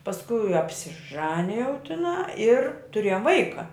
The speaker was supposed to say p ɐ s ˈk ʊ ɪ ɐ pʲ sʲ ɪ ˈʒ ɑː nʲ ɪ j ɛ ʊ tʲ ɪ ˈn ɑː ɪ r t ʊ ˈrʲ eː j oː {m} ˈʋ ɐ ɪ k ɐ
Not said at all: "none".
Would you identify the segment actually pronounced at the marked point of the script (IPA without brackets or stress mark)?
m